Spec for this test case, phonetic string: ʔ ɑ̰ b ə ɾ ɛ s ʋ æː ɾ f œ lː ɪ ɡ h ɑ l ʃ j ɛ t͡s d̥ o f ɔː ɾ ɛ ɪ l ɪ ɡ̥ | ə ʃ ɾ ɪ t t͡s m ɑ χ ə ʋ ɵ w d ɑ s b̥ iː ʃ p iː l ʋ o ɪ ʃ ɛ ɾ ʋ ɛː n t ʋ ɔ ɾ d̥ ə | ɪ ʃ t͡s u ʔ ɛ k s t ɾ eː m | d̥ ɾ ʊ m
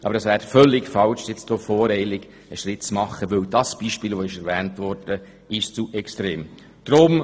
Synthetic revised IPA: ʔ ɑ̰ b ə ɾ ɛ s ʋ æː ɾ f œ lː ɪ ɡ f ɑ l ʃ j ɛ t͡s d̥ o f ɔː ɾ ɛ ɪ l ɪ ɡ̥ | ə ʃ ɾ ɪ t t͡s m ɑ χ ə ʋ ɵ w d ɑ s b̥ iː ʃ p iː l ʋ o ɪ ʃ ɛ ɾ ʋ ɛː n t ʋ ɔ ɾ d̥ ə | ɪ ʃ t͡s u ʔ ɛ k s t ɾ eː m | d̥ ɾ ʊ m